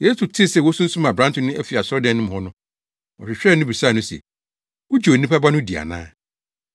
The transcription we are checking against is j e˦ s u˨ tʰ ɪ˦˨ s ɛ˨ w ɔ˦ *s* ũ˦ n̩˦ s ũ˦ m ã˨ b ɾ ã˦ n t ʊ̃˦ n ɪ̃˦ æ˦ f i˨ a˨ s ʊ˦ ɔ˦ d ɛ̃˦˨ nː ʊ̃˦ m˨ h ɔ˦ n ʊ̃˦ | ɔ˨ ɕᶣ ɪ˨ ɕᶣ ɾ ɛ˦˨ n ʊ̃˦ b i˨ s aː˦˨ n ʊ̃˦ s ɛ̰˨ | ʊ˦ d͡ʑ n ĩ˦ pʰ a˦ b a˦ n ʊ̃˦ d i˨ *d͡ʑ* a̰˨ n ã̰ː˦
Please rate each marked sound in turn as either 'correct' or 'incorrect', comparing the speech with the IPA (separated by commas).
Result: correct, incorrect